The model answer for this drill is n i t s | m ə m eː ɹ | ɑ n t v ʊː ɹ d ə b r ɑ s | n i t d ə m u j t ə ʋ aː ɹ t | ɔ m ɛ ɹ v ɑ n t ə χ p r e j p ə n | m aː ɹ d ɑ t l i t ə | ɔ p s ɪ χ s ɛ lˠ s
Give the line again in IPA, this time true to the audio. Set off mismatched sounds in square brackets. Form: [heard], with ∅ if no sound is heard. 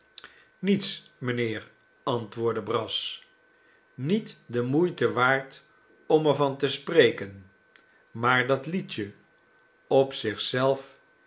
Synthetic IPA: n i t s | m ə [n] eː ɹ | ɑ n t [ʋ] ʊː ɹ d ə b r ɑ s | n i t d ə m u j t ə ʋ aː ɹ t | ɔ m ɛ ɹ v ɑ n t ə [s] p r e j [k] ə n | m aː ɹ d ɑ t l i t ə | ɔ p s ɪ χ s ɛ lˠ [f]